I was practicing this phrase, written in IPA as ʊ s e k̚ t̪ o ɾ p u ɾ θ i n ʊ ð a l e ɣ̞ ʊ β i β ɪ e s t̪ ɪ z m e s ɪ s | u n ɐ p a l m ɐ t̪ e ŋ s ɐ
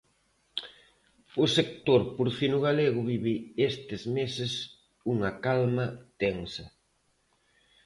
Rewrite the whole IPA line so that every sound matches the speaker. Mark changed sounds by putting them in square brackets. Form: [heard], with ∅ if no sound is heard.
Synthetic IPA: ʊ s e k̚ t̪ o ɾ p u ɾ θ i n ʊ [ɣ] a l e ɣ̞ ʊ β i β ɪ e s t̪ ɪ z m e s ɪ s | u [ŋ] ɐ [k] a l m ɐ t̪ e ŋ s ɐ